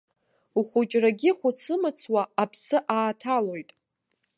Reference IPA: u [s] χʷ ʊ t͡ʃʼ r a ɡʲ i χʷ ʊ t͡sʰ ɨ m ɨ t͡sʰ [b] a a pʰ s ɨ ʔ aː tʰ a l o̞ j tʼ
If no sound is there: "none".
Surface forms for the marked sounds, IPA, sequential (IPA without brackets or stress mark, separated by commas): none, w